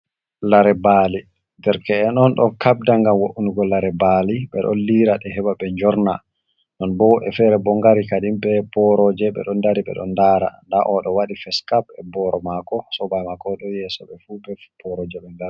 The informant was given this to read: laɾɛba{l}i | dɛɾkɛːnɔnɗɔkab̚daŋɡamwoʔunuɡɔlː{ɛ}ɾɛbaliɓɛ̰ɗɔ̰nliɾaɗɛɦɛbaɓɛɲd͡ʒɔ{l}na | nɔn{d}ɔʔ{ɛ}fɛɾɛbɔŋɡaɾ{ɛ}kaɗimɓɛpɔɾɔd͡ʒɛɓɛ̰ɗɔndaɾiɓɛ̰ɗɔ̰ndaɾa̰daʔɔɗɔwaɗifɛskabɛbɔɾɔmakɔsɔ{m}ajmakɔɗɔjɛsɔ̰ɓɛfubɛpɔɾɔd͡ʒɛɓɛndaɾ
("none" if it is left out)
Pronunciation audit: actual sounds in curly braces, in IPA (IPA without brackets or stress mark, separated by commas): l, a, ɾ, b, ɛ, i, b